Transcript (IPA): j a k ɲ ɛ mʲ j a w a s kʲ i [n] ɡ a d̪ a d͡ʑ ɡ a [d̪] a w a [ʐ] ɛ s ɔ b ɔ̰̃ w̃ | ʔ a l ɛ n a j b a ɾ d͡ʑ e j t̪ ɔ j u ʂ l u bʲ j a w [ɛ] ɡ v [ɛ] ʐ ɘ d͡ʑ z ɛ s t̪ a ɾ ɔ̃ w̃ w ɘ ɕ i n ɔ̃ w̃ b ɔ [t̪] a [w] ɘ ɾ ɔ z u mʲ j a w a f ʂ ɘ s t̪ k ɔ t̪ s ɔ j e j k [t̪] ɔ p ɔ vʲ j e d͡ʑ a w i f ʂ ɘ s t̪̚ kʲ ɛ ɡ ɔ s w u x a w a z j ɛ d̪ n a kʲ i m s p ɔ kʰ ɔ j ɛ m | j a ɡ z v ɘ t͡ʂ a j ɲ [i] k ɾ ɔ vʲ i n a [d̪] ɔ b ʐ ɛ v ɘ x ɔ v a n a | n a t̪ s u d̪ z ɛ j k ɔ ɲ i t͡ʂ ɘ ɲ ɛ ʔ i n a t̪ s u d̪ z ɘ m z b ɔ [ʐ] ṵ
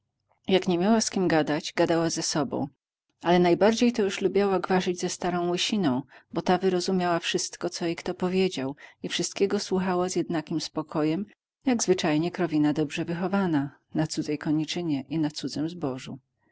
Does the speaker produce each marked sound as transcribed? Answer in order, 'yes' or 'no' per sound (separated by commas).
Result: no, yes, no, no, no, yes, no, yes, no, yes, yes